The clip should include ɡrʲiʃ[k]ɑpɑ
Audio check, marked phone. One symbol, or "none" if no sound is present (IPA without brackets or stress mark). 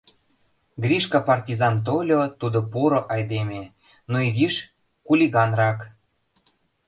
k